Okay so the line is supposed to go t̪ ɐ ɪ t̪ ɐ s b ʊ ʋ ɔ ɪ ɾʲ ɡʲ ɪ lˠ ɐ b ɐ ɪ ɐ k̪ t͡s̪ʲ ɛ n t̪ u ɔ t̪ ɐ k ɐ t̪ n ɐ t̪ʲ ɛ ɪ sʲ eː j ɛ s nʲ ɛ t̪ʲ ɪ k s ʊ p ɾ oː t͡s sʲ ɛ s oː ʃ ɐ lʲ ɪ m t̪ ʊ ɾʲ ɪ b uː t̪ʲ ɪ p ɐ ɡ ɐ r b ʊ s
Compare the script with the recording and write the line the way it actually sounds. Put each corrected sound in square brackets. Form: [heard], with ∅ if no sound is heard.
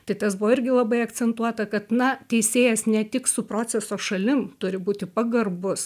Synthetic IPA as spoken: t̪ ɐ ɪ t̪ ɐ s b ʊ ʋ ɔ ɪ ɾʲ ɡʲ ɪ lˠ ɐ b ɐ ɪ ɐ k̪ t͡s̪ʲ ɛ n t̪ u ɔ t̪ ɐ k ɐ t̪ n ɐ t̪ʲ ɛ ɪ sʲ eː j ɛ s nʲ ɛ t̪ʲ ɪ k s ʊ p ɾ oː t͡s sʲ ɛ s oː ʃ ɐ lʲ ɪ m t̪ ʊ ɾʲ ɪ b uː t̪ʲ ɪ p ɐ ɡ ɐ r b ʊ s